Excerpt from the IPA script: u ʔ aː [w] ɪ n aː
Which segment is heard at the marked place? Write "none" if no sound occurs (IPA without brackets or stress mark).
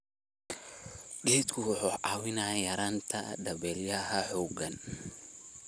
w